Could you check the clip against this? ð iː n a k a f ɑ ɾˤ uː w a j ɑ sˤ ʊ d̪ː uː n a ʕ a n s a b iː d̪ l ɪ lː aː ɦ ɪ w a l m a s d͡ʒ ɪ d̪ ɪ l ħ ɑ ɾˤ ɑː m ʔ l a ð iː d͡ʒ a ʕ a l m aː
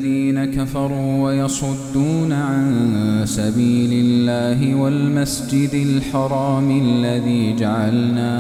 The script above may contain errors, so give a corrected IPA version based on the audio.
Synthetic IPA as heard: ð iː n a k a f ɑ ɾˤ uː w a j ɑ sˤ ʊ d̪ː uː n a ʕ a n s a b iː l ɪ lː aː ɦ ɪ w a l m a s d͡ʒ ɪ d̪ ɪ l ħ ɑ ɾˤ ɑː m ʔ lː a ð iː d͡ʒ a ʕ a l n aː